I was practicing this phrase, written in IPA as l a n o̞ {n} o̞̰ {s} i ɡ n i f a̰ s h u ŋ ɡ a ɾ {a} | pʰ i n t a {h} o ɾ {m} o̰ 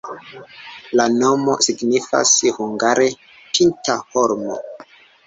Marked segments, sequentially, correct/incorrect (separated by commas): incorrect, correct, incorrect, correct, correct